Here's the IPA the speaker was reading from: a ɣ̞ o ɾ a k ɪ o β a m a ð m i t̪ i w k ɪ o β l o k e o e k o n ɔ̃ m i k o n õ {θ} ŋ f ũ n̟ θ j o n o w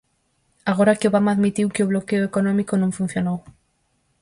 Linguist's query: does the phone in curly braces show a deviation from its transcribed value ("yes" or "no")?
yes